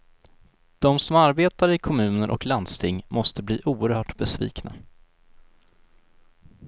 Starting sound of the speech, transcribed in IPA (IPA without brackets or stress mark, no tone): d̪̥